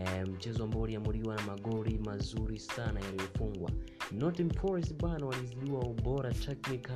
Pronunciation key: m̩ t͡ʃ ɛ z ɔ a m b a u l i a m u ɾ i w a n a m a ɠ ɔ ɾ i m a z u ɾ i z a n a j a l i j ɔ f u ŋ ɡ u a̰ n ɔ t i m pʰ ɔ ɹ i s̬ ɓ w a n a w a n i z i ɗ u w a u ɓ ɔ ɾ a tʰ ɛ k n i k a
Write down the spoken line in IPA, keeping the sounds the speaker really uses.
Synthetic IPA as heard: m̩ t͡ʃ ɛ z ɔ a m b a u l i a m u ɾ i w a n a m a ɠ ɔ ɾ i m a z u ɾ i s a n a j a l i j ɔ f u ŋ ɡ w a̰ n ɔ t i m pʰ ɔ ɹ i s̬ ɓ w a n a w a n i z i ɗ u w a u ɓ ɔ ɾ a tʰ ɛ k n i k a